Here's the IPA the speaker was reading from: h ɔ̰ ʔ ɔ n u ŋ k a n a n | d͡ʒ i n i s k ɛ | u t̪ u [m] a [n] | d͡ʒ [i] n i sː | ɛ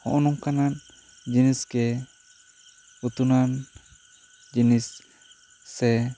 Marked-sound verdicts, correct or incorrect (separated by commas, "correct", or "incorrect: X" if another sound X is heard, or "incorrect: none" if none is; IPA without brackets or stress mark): incorrect: n, correct, correct